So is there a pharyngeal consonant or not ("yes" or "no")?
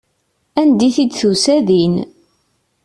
no